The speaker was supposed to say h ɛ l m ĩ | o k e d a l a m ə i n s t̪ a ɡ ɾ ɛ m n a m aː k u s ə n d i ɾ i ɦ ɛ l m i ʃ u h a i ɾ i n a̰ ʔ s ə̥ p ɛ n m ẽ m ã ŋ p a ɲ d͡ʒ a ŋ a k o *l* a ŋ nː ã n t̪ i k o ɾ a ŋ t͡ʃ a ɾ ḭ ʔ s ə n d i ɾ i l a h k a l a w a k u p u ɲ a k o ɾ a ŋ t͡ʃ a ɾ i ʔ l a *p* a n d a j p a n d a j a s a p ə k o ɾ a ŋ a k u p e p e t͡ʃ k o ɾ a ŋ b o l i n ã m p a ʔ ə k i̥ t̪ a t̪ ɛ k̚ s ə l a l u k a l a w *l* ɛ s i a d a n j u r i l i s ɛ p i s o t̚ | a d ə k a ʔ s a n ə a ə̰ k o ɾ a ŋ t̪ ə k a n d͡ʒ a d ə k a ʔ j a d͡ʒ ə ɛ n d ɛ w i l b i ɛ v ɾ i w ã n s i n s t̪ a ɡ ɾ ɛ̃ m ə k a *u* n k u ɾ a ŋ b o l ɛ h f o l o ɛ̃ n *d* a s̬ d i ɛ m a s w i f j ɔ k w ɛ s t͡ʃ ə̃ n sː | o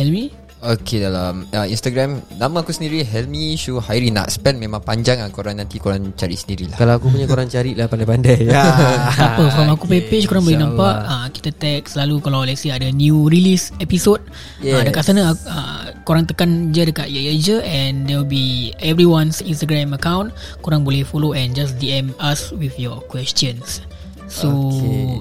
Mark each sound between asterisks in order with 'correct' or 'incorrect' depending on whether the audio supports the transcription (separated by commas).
incorrect, correct, correct, incorrect, incorrect